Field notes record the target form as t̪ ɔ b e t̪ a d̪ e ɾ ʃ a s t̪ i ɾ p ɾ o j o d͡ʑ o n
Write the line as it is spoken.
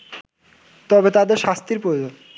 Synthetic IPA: t̪ ɔ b e t̪ a d̪ e ɾ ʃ a s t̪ i ɾ p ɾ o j o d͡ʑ o n